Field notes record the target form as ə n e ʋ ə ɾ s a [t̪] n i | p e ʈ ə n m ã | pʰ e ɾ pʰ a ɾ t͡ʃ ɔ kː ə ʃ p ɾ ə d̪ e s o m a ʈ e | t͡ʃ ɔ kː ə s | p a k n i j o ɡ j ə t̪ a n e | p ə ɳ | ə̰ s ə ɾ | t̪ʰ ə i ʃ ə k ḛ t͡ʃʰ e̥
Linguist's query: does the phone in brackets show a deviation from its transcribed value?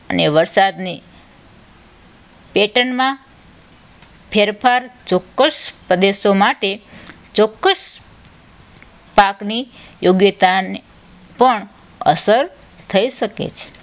yes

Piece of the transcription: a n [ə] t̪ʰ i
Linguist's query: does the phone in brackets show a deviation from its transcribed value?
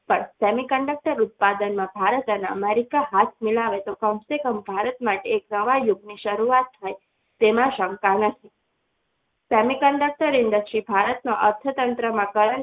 no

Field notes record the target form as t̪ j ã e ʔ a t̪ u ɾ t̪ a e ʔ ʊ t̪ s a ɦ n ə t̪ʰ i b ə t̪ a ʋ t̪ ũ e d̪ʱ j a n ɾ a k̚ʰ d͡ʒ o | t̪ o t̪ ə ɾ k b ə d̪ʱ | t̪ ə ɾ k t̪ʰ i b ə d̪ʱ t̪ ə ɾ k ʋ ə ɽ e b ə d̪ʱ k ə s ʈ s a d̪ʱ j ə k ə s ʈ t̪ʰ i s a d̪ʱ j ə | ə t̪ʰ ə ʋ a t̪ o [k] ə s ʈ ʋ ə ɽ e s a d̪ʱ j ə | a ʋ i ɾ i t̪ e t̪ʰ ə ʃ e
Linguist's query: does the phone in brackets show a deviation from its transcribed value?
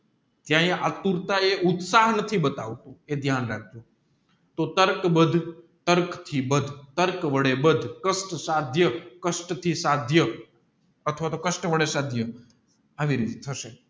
no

